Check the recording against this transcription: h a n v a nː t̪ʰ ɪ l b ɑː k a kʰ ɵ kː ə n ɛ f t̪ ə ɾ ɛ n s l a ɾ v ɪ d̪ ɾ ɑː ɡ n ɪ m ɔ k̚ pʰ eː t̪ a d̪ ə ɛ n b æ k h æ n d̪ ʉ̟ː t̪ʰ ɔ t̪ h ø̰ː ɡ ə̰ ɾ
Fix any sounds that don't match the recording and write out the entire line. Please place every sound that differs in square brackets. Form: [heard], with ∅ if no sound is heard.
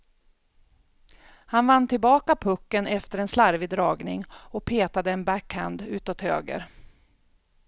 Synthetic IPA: h a n v a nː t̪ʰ ɪ l b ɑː k a [pʰ] ɵ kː ə n ɛ f t̪ ə ɾ ɛ n s l a ɾ v ɪ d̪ ɾ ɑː ɡ n ɪ [ŋ] ɔ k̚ pʰ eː t̪ a d̪ ə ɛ n b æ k h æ n d̪ ʉ̟ː [t̪] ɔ t̪ h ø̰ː ɡ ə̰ ɾ